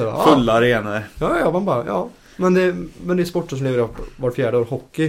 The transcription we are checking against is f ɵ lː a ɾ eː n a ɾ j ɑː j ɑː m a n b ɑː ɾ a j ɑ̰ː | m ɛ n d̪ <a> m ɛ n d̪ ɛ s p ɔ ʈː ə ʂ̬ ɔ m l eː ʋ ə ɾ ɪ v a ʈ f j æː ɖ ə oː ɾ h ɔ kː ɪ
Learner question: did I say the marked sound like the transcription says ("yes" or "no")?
no